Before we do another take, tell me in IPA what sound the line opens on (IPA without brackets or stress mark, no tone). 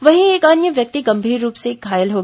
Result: ʋ